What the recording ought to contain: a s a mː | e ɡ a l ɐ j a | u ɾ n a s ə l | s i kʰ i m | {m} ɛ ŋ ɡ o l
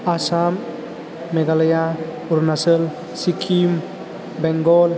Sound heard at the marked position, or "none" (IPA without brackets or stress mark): b